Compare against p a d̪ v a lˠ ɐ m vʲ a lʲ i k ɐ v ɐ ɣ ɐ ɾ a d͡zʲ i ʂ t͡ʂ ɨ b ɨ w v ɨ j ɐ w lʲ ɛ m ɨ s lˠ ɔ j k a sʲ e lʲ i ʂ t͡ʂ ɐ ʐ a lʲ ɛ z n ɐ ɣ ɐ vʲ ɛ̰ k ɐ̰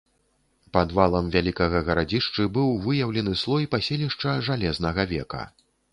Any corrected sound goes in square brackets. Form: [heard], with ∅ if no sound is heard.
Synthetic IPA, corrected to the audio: p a d̪ v a lˠ ɐ m vʲ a lʲ i k ɐ [ɣ] ɐ ɣ ɐ ɾ a d͡zʲ i ʂ t͡ʂ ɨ b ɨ w v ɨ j ɐ w lʲ ɛ [n] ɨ s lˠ ɔ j [p] a sʲ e lʲ i ʂ t͡ʂ ɐ ʐ a lʲ ɛ z n ɐ ɣ ɐ vʲ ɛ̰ k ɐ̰